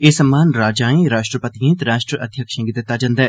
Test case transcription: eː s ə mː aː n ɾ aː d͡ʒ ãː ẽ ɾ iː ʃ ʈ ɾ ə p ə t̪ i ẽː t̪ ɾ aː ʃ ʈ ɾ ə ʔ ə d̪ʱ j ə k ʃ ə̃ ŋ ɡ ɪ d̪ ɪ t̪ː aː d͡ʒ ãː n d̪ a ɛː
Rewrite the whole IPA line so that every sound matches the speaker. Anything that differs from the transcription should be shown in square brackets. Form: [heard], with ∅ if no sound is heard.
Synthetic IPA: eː s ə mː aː n ɾ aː d͡ʒ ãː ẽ ɾ [aː] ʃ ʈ ɾ ə p ə t̪ i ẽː t̪ ɾ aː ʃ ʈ ɾ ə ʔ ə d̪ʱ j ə k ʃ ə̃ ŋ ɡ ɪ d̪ ɪ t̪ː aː d͡ʒ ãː n d̪ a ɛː

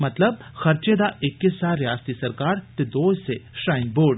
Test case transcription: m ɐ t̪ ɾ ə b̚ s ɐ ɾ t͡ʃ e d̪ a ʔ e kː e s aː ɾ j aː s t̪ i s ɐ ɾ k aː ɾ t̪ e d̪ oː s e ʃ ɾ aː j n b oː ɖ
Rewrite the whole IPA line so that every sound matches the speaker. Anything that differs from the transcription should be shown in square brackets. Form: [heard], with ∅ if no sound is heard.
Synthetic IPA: m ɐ t̪ [l] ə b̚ [x] ɐ ɾ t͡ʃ e d̪ a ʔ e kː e s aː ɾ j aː s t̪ i s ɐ ɾ k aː ɾ t̪ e d̪ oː s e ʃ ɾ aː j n b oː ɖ

